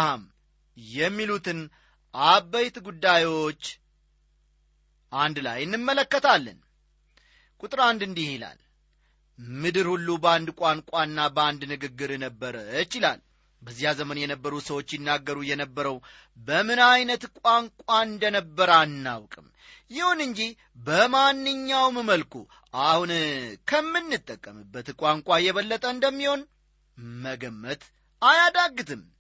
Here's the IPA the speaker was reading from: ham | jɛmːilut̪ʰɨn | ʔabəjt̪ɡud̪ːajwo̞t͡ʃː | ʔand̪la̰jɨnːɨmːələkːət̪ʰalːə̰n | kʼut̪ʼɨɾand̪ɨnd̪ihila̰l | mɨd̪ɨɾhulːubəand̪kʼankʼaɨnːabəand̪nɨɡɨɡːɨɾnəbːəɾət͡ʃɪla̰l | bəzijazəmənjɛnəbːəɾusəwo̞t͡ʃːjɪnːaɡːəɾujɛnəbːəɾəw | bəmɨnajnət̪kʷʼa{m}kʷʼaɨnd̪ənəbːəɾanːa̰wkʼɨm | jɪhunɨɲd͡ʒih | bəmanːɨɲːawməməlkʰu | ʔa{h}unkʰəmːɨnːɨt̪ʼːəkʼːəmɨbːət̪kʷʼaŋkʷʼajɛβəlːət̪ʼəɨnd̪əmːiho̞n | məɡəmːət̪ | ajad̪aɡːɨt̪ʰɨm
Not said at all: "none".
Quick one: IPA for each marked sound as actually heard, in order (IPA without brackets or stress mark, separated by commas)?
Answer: ŋ, h